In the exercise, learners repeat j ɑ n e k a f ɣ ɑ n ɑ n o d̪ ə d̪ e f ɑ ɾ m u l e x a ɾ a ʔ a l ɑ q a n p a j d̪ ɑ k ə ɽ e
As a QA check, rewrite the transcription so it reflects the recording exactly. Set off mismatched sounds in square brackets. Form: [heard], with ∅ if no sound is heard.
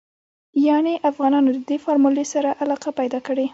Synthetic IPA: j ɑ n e [ʔ] a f ɣ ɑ n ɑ n o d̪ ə d̪ e f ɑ ɾ m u l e [s] a ɾ a ʔ a l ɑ q a [∅] p a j d̪ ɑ k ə ɽ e